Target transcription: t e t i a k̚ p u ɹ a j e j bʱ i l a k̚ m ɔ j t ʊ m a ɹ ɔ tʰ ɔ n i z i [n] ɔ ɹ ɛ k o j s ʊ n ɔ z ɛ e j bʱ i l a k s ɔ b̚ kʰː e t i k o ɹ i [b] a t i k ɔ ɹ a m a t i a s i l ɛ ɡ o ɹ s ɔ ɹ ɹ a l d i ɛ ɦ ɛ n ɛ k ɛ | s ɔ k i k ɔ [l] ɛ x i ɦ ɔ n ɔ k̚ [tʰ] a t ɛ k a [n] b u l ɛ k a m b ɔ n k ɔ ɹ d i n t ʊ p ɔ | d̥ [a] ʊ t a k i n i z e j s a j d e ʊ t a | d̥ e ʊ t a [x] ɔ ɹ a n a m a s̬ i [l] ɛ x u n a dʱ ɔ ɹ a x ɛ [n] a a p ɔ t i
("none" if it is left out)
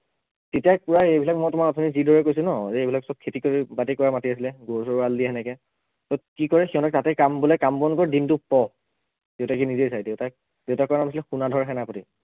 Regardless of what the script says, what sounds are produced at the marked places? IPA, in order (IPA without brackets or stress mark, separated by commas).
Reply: d, b, ɹ, t, m, e, k, l, n